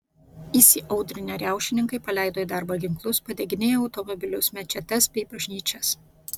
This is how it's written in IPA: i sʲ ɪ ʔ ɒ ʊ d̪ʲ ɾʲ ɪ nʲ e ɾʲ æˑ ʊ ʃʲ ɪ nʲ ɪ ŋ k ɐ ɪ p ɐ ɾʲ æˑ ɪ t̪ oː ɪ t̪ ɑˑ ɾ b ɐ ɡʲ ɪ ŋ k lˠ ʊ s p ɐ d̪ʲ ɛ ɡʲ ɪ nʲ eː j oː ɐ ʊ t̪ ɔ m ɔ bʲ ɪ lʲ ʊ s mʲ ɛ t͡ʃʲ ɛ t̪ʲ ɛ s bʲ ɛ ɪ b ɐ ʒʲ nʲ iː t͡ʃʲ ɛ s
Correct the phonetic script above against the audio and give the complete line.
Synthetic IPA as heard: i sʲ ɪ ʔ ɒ ʊ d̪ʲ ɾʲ ɪ nʲ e ɾʲ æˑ ʊ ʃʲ ɪ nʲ ɪ ŋ k ɐ ɪ p ɐ lʲ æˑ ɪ d̪ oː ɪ d̪ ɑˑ ɾ b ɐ ɡʲ ɪ ŋ k lˠ ʊ s p ɐ d̪ʲ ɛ ɡʲ ɪ nʲ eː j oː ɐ ʊ t̪ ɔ m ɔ bʲ ɪ lʲ ʊ s mʲ ɛ t͡ʃʲ ɛ t̪ʲ ɛ s bʲ ɛ ɪ b ɐ ʒʲ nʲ iː t͡ʃʲ ɛ s